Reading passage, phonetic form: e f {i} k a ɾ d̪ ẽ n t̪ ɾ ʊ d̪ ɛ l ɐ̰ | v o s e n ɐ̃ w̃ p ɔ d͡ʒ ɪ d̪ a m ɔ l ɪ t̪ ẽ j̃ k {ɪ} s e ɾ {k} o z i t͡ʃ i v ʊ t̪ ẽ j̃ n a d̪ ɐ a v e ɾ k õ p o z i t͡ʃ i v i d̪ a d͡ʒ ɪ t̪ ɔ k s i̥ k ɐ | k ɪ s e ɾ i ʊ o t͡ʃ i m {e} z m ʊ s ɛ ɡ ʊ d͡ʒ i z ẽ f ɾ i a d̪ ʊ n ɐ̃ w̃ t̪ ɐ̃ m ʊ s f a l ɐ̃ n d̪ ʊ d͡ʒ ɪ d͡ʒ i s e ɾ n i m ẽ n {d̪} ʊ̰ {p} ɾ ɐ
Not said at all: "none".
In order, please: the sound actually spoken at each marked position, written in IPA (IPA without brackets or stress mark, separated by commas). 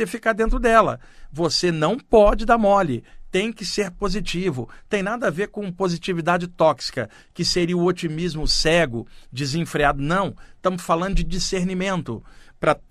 i, ɪ, p, i, t̪, p